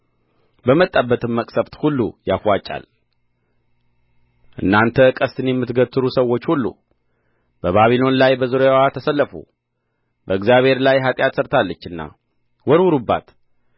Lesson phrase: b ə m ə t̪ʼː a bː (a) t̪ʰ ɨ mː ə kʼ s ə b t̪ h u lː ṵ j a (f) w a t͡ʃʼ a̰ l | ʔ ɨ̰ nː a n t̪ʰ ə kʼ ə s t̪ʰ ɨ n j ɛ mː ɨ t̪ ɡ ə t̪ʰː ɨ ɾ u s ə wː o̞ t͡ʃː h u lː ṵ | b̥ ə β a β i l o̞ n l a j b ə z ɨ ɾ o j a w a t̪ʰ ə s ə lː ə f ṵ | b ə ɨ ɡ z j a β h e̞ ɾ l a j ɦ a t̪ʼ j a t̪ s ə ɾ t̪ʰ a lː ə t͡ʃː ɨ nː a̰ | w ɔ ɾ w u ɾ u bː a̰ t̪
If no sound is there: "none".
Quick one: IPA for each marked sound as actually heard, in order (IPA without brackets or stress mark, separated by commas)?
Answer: ə, f